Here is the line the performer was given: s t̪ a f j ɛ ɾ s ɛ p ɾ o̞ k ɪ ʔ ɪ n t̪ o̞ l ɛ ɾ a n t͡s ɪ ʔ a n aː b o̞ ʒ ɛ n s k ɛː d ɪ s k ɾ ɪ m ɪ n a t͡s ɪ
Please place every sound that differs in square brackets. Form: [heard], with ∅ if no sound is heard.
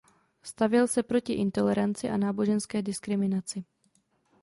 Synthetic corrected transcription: s t̪ a [v] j ɛ [l] s ɛ p ɾ o̞ [c] ɪ ʔ ɪ n t̪ o̞ l ɛ ɾ a n t͡s ɪ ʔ a n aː b o̞ ʒ ɛ n s k ɛː d ɪ s k ɾ ɪ m ɪ n a t͡s ɪ